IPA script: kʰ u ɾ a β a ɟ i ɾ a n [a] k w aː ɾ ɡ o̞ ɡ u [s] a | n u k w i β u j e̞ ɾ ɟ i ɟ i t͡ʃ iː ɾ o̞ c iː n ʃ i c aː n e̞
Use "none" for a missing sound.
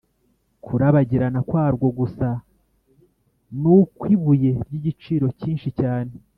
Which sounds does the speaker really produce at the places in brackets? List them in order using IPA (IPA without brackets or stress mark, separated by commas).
a, s